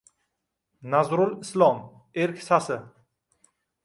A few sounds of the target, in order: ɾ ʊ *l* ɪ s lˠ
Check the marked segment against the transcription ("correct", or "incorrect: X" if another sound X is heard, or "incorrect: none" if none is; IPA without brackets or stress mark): correct